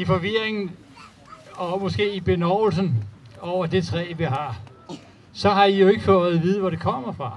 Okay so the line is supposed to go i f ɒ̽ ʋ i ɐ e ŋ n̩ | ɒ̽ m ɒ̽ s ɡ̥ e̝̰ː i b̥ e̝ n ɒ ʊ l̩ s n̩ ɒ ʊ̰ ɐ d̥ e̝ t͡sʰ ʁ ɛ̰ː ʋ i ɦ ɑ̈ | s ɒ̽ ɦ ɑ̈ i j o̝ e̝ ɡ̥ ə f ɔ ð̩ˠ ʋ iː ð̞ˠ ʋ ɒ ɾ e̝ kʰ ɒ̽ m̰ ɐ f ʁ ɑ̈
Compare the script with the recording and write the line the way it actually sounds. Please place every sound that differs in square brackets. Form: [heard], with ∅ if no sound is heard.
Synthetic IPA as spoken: i f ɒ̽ ʋ i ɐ e ŋ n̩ | ɒ̽ m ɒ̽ s ɡ̥ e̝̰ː i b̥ e̝ n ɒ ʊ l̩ s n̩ ɒ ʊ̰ ɐ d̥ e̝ t͡sʰ ʁ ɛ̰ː ʋ i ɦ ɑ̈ | s ɒ̽ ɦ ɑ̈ i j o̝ e̝ ɡ̥ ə f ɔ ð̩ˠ ʋ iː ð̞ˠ ʋ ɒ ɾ e̝ kʰ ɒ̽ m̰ ɐ f ʁ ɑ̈